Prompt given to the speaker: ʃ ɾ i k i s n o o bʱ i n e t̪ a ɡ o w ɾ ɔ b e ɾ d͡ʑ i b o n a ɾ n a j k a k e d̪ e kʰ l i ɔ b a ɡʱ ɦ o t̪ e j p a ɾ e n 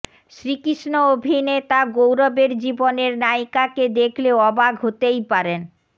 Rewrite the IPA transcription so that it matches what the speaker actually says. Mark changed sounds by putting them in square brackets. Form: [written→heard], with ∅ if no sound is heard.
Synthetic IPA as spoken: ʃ ɾ i k i [s→ʃ] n o o bʱ i n e t̪ a ɡ o w ɾ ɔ b e ɾ d͡ʑ i b o n [a→e] ɾ n a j k a k e d̪ e kʰ l [i→e] ɔ b a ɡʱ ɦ o t̪ e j p a ɾ e n